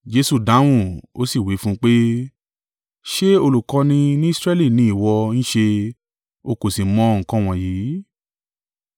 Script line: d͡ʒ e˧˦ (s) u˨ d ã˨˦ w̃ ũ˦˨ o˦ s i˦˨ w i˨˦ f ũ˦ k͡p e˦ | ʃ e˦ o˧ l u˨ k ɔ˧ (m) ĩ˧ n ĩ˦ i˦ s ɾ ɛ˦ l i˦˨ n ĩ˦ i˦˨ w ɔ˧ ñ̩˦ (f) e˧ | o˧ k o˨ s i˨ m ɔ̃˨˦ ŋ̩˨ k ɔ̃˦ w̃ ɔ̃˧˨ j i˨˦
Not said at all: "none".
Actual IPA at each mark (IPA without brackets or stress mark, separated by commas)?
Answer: s, n, ʃ